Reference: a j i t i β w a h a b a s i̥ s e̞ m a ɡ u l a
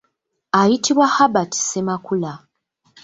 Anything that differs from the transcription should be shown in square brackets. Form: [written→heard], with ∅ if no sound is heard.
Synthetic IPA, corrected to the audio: a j i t i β w a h a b a [s→t] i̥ s e̞ m a [ɡ→k] u l a